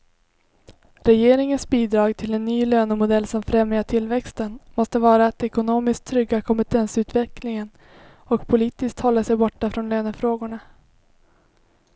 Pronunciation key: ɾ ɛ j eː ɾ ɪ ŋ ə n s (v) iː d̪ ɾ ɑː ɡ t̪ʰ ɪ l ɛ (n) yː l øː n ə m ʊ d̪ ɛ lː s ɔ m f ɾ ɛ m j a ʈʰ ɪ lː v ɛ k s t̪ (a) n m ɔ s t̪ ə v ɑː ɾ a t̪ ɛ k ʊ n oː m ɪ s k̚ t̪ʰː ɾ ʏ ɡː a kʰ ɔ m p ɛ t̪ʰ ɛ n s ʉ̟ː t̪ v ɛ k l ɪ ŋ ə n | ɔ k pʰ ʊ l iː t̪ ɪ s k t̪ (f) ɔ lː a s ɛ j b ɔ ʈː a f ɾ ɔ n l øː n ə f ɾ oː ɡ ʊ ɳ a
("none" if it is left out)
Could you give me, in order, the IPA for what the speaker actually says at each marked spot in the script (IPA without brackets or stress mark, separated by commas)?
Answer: b, nː, ə, h